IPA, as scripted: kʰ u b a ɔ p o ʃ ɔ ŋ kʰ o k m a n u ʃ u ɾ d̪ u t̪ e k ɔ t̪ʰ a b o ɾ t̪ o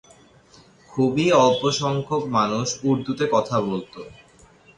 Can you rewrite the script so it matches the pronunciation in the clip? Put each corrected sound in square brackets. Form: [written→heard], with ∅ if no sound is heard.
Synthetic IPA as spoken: kʰ u b [a→i] ɔ p o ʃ ɔ ŋ kʰ o k m a n u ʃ u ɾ d̪ u t̪ e k ɔ t̪ʰ a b o [ɾ→l] t̪ o